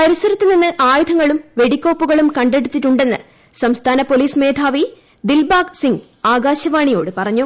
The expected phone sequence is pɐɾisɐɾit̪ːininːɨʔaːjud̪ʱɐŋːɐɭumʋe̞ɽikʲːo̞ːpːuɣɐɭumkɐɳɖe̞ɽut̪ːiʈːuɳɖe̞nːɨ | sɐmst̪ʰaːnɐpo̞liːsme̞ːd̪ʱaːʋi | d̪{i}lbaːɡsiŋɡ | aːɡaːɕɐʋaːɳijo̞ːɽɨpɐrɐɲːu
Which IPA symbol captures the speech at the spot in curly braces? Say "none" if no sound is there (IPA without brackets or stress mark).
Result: i